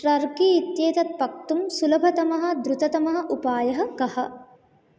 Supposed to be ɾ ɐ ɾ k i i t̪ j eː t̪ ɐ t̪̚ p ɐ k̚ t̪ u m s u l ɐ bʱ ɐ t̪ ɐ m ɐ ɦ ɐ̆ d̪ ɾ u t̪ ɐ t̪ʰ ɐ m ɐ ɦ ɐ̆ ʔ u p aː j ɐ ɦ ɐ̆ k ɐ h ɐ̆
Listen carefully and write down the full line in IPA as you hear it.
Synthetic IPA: ɾ ɐ ɾ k i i t̪ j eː t̪ ɐ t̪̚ p ɐ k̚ t̪ u m s u l ɐ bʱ ɐ t̪ ɐ m ɐ ɦ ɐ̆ d̪ ɾ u t̪ ɐ t̪ ɐ m ɐ ɦ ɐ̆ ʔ u p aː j ɐ ɦ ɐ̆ k ɐ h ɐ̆